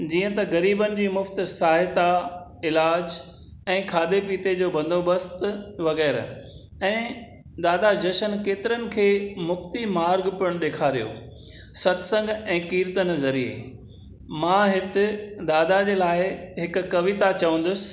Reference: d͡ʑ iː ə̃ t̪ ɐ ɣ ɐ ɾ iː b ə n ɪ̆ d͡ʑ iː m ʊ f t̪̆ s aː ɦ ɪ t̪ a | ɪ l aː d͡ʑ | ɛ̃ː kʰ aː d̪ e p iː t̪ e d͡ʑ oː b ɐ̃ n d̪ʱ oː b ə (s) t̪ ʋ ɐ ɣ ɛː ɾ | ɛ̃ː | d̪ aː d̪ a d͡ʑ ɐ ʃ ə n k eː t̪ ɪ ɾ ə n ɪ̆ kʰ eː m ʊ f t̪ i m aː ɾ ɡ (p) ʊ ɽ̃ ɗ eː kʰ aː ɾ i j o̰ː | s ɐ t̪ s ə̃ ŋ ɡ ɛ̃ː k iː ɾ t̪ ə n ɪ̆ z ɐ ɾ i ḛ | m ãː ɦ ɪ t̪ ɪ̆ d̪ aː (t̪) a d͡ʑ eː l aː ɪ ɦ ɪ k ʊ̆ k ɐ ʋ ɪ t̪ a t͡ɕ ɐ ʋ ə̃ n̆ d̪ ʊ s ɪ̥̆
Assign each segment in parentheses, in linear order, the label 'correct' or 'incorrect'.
correct, correct, incorrect

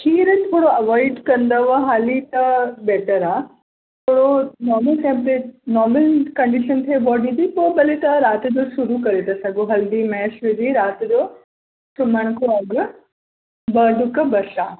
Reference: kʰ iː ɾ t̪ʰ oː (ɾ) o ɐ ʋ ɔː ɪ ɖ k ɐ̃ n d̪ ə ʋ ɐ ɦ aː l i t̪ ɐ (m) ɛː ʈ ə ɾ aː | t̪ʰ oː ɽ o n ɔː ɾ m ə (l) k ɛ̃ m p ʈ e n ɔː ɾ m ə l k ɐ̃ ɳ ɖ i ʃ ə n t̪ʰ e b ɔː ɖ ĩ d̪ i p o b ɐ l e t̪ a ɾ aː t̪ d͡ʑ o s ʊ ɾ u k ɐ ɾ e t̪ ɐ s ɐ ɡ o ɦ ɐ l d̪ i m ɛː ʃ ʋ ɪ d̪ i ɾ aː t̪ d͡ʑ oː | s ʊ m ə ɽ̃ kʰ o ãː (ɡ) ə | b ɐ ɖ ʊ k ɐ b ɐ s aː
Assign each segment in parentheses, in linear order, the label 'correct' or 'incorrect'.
incorrect, incorrect, correct, correct

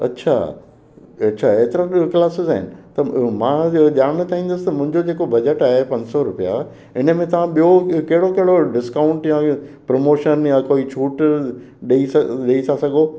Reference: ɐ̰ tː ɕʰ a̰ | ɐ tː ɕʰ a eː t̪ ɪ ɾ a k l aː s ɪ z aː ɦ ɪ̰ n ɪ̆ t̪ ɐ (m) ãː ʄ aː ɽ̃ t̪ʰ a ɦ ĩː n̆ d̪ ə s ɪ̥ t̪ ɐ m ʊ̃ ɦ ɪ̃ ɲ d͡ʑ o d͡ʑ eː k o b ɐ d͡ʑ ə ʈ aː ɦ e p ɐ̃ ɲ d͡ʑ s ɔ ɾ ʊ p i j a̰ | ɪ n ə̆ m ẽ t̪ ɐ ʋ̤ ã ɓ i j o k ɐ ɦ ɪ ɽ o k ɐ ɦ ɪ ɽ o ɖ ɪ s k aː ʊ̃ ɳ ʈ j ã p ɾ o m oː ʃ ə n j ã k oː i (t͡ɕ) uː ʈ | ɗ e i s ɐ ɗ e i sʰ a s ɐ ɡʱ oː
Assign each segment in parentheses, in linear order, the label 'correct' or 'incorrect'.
correct, incorrect

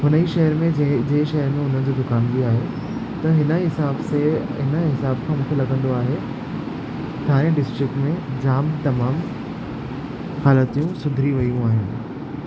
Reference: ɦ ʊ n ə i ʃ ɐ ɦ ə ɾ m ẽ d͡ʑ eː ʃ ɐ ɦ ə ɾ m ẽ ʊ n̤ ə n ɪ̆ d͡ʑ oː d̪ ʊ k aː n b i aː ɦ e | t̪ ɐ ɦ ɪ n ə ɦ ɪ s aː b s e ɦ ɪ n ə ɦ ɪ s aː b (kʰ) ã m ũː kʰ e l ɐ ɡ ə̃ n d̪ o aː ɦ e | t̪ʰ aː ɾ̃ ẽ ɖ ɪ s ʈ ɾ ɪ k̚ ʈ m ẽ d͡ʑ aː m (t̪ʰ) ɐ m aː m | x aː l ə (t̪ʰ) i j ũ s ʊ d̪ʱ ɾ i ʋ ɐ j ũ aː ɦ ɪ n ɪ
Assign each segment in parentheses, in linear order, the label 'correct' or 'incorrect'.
correct, incorrect, incorrect

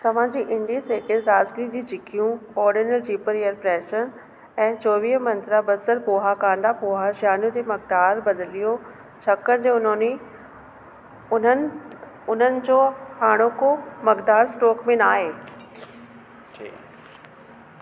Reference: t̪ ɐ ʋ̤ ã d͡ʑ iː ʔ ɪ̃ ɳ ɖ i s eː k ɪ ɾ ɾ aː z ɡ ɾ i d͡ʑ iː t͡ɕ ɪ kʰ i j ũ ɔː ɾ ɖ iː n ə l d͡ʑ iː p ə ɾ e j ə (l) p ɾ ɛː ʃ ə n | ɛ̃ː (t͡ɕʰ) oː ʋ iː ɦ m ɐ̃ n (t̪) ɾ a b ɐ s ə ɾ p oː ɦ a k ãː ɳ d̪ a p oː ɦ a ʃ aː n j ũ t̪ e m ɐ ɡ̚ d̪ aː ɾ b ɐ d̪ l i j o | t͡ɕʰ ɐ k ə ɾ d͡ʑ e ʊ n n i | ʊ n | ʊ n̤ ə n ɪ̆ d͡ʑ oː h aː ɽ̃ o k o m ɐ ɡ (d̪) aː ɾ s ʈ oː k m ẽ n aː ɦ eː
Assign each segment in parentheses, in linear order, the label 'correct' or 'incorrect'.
incorrect, incorrect, correct, correct

